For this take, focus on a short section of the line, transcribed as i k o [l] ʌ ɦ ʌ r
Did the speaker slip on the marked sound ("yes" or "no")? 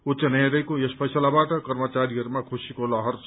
no